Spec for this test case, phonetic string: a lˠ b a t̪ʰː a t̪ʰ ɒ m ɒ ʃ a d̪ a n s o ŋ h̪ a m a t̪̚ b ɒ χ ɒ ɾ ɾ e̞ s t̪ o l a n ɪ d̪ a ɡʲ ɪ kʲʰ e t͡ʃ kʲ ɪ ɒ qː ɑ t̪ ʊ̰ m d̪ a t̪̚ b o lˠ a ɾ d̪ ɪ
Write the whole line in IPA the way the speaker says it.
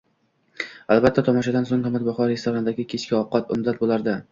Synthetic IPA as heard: a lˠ b a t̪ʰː a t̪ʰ ɒ m ɒ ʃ a d̪ a n s o ŋ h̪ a m a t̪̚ b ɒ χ ɒ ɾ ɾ e̞ s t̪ o ɾ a n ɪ d̪ a ɡʲ ɪ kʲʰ e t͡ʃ kʲ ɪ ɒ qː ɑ t̪ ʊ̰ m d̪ a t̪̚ b o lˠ a ɾ d̪ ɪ